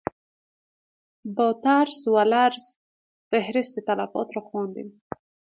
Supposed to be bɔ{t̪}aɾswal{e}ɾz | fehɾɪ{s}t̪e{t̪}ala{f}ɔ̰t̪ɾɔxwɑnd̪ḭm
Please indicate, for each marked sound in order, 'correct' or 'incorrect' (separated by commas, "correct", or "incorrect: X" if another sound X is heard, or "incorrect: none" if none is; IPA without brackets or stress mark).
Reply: correct, incorrect: a, correct, correct, correct